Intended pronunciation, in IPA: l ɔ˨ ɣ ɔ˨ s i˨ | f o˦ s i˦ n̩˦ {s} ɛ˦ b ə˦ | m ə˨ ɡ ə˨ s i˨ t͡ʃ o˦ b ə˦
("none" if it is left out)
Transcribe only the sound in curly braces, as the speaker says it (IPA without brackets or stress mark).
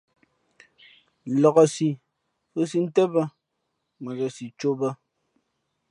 t